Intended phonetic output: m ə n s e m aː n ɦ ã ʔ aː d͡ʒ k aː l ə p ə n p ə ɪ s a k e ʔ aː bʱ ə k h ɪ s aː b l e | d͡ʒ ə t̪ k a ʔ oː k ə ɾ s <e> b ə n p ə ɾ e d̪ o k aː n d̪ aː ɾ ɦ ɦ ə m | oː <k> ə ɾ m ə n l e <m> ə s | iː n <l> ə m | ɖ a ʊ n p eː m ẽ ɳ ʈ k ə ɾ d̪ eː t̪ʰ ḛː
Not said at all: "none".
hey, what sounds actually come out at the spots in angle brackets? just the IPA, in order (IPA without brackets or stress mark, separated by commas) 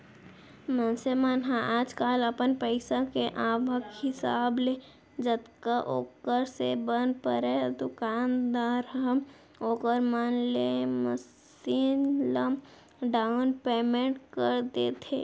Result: e, k, m, l